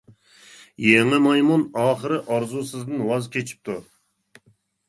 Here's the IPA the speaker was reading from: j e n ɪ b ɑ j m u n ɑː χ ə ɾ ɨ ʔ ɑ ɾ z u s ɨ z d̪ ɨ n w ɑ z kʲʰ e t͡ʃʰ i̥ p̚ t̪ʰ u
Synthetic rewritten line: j e ŋ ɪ m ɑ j m u n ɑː χ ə ɾ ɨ ʔ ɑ ɾ z u s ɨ z d̪ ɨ n w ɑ z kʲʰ e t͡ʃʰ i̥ p̚ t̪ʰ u